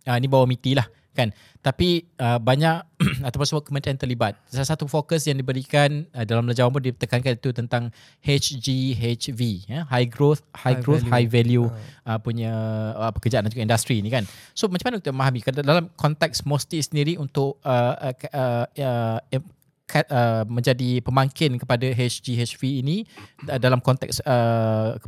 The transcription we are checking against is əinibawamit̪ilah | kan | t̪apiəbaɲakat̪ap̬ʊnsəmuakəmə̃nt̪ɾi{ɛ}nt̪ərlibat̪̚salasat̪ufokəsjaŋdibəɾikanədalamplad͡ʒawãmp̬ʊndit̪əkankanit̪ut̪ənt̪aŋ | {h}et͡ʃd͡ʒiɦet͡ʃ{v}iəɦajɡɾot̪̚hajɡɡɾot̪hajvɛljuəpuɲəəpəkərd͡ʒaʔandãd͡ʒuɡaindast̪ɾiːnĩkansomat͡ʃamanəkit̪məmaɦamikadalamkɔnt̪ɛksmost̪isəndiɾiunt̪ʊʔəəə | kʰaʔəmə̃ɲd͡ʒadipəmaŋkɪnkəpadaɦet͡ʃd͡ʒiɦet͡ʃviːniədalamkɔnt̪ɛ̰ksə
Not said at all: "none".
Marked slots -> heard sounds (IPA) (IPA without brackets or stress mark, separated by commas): a, h, v